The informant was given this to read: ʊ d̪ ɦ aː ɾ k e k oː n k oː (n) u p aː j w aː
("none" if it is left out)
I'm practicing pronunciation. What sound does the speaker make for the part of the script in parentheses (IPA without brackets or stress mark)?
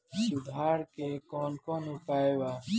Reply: n